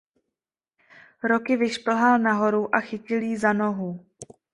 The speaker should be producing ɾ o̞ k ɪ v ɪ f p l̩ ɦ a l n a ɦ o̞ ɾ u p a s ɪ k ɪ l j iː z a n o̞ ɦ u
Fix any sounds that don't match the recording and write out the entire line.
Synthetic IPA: ɾ o̞ k ɪ v ɪ ʃ p l̩ ɦ a l n a ɦ o̞ ɾ u ʔ a x ɪ c ɪ l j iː z a n o̞ ɦ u